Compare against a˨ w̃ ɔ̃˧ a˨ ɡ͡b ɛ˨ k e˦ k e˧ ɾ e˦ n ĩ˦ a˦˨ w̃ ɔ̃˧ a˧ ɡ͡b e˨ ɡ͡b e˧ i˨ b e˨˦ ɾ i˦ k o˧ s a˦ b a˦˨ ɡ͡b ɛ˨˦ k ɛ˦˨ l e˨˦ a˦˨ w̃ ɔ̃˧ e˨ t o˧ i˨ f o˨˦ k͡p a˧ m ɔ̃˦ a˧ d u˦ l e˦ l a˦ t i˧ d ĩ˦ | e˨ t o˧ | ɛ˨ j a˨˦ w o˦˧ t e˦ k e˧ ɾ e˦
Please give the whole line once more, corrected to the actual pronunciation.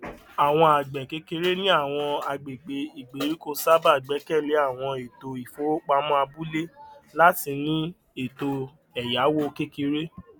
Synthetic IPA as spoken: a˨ w̃ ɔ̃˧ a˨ ɡ͡b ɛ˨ k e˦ k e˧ ɾ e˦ n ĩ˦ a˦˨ w̃ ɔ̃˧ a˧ ɡ͡b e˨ ɡ͡b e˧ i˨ ɡ͡b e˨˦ ɾ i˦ k o˧ s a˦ b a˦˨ ɡ͡b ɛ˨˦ k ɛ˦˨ l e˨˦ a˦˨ w̃ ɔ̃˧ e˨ t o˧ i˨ f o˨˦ k͡p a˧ m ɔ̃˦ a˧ b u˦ l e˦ l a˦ t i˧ n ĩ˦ | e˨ t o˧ | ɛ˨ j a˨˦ w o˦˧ k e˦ k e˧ ɾ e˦

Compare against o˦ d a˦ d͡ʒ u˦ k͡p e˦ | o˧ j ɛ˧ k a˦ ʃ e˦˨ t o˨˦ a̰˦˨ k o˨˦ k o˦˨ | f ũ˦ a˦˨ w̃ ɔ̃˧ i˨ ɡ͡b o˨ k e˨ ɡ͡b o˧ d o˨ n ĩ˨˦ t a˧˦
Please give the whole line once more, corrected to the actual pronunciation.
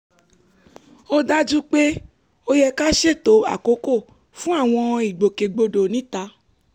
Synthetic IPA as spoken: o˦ d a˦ d͡ʒ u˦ k͡p e˦ | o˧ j ɛ˧ k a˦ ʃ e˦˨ t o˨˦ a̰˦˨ k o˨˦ k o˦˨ | f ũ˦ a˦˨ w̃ ɔ̃˧ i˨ ɡ͡b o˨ k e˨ ɡ͡b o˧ d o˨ n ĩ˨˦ t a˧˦

